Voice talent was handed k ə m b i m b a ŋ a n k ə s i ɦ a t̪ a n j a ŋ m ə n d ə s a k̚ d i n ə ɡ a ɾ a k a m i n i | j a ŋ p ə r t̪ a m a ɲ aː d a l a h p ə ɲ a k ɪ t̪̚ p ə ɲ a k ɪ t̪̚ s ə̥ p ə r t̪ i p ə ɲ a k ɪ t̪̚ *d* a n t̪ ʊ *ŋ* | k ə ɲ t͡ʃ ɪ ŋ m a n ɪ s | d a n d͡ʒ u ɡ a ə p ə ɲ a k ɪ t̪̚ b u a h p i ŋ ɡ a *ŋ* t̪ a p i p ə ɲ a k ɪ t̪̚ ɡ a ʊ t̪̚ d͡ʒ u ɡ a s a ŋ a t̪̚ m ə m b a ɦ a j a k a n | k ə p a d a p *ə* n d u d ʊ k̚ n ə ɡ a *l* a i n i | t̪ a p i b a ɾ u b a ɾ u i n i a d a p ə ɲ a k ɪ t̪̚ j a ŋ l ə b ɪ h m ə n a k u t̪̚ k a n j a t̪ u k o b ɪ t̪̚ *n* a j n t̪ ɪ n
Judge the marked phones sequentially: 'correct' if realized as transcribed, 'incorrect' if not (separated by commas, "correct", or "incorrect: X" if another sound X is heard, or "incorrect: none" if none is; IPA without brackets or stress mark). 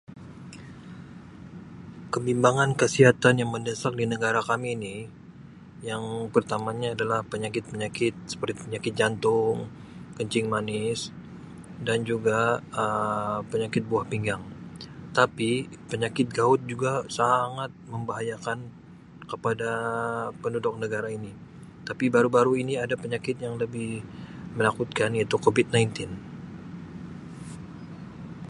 incorrect: d͡ʒ, correct, correct, correct, incorrect: ɾ, correct